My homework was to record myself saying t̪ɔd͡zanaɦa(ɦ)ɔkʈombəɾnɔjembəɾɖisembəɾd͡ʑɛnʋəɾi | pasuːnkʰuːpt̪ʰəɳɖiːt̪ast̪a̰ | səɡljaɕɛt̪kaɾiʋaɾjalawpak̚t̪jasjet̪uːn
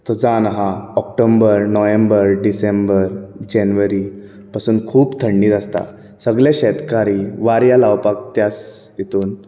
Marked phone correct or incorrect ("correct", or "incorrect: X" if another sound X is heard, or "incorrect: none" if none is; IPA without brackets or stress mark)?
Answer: incorrect: none